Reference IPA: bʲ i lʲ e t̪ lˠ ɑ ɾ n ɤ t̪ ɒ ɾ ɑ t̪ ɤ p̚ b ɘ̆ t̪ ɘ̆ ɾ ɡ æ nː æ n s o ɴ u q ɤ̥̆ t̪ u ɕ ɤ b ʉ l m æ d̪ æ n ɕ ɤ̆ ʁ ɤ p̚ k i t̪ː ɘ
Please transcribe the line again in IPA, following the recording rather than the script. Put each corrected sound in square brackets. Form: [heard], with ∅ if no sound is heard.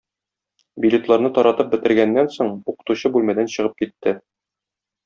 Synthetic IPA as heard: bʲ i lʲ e t̪ lˠ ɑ ɾ n ɤ t̪ ɒ ɾ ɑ t̪ ɤ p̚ b ɘ̆ t̪ ɘ̆ ɾ ɡ æ nː æ n s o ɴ u q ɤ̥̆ t̪ u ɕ ɤ b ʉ l m æ d̪ æ n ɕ ɤ̆ ʁ ɤ p̚ k i t̪ː ɘ